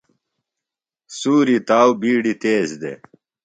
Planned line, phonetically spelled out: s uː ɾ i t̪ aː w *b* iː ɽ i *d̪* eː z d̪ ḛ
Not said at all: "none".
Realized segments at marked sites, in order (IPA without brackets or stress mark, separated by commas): b, t̪